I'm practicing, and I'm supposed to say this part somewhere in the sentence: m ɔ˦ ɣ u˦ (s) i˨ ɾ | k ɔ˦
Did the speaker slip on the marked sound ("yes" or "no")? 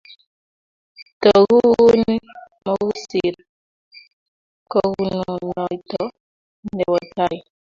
no